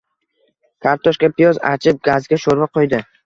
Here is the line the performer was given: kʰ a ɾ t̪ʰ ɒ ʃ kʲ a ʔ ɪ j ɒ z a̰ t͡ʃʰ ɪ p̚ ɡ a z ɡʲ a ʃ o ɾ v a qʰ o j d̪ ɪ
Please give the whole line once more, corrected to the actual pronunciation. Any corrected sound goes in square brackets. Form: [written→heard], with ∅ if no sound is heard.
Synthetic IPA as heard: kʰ a ɾ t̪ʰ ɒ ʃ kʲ a [ʔ→p] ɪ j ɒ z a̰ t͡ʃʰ ɪ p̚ ɡ a z ɡʲ a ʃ o ɾ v a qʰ o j d̪ ɪ